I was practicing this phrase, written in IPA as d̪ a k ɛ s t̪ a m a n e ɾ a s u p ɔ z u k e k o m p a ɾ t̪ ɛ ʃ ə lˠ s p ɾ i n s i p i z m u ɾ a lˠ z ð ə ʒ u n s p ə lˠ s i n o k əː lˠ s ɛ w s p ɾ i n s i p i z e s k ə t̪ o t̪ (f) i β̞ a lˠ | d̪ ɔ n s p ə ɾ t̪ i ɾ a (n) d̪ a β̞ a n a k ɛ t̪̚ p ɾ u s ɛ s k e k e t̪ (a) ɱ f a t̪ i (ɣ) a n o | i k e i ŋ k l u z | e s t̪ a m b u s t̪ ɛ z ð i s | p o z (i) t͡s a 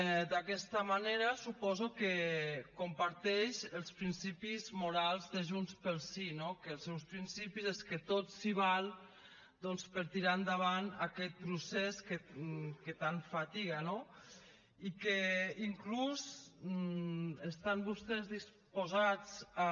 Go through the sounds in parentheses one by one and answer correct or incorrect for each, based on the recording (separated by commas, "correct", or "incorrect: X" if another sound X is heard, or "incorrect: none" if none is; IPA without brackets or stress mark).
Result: incorrect: s, correct, correct, correct, incorrect: a